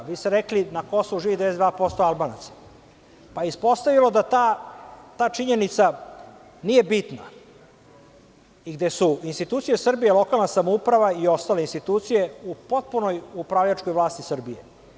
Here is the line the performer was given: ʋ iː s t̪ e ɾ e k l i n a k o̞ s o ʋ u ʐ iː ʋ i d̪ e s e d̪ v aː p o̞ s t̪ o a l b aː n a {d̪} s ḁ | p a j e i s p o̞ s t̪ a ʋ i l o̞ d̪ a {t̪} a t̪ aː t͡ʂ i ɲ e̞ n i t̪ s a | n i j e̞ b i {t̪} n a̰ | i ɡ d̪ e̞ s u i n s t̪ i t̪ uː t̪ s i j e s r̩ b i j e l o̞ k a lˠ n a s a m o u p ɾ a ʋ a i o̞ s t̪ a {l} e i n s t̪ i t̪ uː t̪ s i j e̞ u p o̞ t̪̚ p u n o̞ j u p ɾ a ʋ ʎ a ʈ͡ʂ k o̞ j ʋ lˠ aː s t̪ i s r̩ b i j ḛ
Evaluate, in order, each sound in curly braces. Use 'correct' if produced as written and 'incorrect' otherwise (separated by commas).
incorrect, correct, correct, correct